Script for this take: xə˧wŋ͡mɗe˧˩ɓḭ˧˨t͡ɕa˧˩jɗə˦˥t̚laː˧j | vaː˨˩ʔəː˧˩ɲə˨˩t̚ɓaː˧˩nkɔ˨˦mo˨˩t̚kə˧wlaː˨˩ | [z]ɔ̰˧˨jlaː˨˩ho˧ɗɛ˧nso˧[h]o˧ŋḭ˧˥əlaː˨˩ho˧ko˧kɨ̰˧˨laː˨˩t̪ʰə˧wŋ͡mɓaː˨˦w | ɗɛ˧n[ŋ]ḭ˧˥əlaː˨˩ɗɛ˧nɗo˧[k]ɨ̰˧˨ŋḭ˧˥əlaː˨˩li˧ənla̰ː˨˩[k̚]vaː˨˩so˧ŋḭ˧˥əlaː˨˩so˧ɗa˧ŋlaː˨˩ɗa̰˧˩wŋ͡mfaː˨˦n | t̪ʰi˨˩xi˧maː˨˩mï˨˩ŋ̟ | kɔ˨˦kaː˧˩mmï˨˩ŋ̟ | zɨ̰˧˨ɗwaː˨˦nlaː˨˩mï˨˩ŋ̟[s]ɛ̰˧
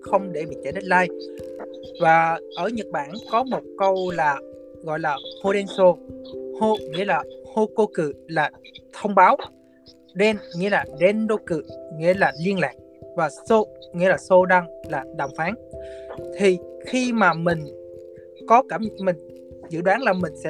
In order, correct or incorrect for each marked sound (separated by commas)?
incorrect, correct, correct, correct, correct, correct